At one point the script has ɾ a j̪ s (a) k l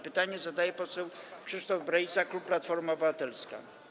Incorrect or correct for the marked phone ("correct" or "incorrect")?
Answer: correct